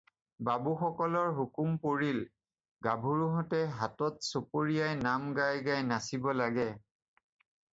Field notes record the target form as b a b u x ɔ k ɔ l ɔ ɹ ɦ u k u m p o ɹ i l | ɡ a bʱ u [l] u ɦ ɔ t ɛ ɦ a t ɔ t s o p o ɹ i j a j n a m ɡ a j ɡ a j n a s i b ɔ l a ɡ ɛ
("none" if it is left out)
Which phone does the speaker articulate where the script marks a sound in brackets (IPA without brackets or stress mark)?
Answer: ɹ